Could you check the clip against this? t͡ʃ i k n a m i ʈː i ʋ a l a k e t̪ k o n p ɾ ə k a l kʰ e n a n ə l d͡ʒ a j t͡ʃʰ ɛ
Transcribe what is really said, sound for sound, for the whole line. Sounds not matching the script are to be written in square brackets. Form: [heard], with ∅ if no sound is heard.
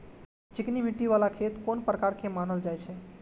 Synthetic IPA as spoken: t͡ʃ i k n [i] m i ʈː i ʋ a l a [kʰ] e t̪ k o n p ɾ ə k a [ɾ] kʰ e [m] a n ə l d͡ʒ a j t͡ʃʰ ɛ